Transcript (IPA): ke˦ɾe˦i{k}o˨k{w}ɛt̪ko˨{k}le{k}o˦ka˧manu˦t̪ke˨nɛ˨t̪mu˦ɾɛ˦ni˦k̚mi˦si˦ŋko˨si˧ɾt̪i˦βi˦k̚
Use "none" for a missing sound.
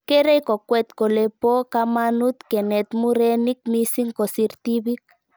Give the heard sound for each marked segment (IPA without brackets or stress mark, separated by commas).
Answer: k, w, none, p